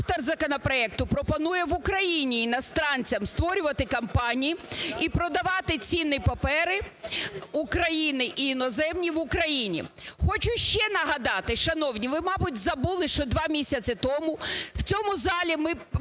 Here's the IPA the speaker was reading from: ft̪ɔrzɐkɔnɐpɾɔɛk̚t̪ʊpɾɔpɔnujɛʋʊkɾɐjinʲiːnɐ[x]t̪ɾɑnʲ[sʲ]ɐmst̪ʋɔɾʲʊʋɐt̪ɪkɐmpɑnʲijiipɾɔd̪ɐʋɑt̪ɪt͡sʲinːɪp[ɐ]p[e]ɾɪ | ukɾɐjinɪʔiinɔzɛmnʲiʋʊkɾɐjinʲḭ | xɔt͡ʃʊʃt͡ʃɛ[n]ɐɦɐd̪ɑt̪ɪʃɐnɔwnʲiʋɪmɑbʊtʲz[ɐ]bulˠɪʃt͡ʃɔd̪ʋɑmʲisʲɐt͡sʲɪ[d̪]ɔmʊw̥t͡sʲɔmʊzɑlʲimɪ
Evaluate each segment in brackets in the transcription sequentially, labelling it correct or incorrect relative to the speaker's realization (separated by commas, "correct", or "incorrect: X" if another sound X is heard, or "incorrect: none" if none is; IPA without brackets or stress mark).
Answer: incorrect: s, incorrect: t͡sʲ, correct, incorrect: ɛ, correct, correct, incorrect: t̪